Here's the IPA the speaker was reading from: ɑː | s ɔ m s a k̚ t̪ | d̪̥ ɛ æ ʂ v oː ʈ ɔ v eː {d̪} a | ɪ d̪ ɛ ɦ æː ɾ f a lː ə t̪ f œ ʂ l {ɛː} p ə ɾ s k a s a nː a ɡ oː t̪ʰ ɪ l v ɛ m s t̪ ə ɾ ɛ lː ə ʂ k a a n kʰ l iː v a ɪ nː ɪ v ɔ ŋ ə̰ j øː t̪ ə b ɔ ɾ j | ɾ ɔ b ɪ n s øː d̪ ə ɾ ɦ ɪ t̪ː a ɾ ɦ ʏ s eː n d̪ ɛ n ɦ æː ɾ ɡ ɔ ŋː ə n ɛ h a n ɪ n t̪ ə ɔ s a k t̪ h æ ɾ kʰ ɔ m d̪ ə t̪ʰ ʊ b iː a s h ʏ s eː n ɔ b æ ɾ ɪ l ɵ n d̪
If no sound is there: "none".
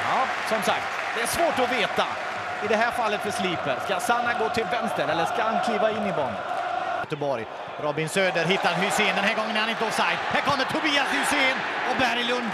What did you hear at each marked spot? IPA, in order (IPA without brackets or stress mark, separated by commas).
t̪, iː